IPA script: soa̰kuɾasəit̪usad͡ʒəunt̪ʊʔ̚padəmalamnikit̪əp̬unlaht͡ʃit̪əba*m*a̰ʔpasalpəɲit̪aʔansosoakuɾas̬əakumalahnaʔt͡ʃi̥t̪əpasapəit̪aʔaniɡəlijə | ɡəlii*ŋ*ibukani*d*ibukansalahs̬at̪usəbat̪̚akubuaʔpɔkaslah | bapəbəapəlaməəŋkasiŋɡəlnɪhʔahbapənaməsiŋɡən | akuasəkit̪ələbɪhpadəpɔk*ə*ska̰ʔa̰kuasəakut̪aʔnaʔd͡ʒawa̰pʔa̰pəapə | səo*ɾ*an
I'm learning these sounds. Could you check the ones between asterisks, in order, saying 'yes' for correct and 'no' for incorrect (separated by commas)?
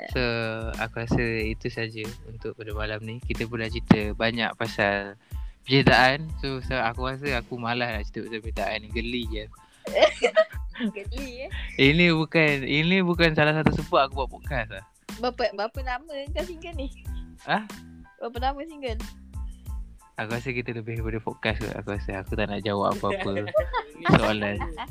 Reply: no, no, no, no, no